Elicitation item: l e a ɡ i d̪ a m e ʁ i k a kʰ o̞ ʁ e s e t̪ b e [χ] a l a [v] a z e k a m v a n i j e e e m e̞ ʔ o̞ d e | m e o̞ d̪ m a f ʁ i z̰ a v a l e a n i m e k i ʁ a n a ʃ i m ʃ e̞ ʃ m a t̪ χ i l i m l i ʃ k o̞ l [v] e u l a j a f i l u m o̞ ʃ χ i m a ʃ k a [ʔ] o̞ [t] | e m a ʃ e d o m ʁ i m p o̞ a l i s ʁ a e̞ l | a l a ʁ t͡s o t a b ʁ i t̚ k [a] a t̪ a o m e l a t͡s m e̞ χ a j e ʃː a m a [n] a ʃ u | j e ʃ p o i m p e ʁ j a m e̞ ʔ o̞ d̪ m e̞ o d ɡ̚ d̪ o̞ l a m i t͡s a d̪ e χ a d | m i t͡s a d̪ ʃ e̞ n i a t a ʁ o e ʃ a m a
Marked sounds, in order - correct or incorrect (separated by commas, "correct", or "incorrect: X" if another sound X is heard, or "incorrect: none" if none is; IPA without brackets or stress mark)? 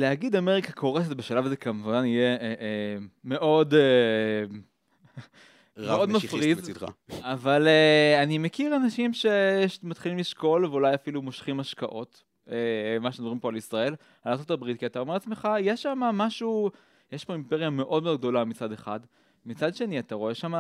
incorrect: ʃ, correct, correct, correct, correct, incorrect: i, incorrect: m